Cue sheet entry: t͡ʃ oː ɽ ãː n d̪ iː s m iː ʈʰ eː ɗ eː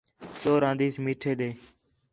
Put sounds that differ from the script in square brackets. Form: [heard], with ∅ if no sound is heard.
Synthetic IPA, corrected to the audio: t͡ʃ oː [ɾ] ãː n d̪ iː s m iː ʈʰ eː ɗ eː